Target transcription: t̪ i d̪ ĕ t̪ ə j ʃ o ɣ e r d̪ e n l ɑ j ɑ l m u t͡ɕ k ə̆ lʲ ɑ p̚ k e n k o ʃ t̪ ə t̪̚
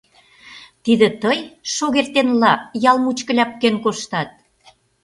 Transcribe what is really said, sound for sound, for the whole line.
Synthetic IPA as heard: t̪ i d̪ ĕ t̪ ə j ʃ o ɣ e r t̪ e n l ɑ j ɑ l m u t͡ɕ k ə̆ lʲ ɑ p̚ k e n k o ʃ t̪ ɑ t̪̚